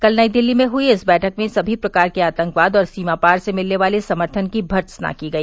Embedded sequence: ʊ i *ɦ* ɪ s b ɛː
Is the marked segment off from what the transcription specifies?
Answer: yes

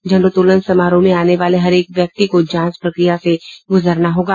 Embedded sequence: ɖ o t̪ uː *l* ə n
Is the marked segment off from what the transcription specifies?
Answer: no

